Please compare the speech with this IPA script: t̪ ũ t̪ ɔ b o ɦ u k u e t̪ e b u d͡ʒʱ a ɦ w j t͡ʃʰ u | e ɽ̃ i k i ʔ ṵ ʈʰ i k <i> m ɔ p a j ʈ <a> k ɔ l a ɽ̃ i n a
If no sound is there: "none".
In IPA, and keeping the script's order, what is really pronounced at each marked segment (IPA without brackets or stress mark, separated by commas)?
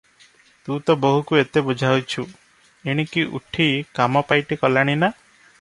a, i